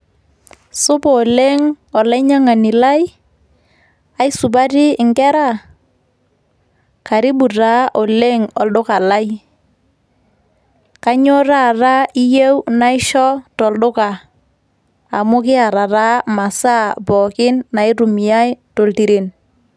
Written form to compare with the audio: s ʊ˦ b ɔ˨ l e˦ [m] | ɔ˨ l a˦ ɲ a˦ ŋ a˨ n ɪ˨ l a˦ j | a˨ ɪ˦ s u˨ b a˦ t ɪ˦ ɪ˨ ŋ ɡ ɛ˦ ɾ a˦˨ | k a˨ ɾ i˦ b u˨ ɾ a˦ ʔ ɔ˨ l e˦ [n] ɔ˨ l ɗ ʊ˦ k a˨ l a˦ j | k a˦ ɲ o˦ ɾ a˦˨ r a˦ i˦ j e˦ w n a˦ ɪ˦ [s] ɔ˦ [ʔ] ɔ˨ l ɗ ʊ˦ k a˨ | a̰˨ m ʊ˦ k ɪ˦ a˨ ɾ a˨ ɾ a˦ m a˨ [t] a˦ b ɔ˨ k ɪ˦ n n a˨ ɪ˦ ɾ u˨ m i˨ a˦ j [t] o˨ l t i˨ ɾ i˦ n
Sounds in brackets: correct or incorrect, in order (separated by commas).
incorrect, incorrect, incorrect, incorrect, incorrect, correct